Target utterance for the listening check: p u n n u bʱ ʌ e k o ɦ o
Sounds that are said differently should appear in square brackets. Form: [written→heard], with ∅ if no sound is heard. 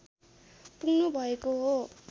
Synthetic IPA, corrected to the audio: p u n n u bʱ ʌ e k o ɦ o